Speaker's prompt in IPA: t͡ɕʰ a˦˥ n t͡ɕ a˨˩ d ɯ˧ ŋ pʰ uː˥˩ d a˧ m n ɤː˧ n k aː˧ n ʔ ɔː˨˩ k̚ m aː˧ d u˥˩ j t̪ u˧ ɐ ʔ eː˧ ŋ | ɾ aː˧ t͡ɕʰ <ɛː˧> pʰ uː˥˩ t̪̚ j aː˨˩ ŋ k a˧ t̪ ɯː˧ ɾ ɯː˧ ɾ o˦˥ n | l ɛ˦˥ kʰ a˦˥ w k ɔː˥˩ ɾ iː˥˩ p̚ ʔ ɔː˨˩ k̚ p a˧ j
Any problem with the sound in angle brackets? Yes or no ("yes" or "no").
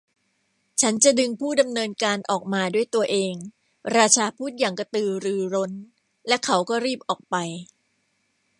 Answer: yes